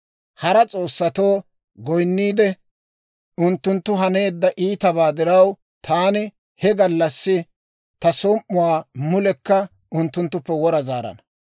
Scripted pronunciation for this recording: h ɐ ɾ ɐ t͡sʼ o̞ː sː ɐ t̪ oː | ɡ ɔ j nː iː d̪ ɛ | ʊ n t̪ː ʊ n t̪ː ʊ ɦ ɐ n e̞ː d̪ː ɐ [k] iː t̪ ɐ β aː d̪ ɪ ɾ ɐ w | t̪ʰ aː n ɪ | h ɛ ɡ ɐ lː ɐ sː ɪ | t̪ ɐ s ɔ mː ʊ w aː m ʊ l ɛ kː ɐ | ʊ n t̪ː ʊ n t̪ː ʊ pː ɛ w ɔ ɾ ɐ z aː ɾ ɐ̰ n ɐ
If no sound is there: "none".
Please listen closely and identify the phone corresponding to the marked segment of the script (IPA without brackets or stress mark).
ʔ